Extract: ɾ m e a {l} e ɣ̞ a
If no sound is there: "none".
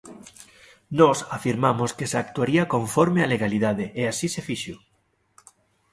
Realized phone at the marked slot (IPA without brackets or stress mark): l